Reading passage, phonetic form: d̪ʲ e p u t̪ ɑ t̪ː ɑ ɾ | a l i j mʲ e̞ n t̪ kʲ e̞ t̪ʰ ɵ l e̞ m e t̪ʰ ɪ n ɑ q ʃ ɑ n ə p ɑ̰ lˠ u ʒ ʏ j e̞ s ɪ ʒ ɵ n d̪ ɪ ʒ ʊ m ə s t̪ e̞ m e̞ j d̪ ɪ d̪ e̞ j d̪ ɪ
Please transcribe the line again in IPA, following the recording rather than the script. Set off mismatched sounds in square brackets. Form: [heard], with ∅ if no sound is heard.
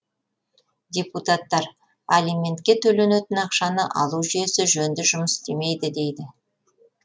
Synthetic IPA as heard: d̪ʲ e p u t̪ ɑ t̪ː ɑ ɾ | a l i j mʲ e̞ n t̪ kʲ e̞ t̪ʰ ɵ l e̞ [n] e [t̪] ɪ n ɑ q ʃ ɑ n ə [ʔ] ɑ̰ lˠ u ʒ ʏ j e̞ s ɪ ʒ ɵ n d̪ ɪ ʒ ʊ m ə s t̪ e̞ m e̞ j d̪ ɪ d̪ e̞ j d̪ ɪ